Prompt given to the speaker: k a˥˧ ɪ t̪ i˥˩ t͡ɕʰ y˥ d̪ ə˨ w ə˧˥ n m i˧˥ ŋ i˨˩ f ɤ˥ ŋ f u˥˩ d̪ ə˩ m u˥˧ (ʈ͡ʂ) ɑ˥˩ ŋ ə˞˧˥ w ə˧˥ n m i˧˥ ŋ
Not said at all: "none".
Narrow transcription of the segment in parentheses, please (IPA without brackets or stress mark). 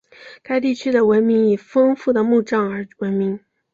ʈ͡ʂ